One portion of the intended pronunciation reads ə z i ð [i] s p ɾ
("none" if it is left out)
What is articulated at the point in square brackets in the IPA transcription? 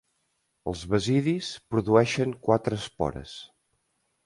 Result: i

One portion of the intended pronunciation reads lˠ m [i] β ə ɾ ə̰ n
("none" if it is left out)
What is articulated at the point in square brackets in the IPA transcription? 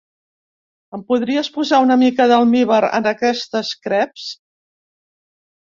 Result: i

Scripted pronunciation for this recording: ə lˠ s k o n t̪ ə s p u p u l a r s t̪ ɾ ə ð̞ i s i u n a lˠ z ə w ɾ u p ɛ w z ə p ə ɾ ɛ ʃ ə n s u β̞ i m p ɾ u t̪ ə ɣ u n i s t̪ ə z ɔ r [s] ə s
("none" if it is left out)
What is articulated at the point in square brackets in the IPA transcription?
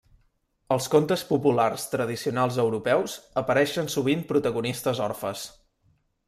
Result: f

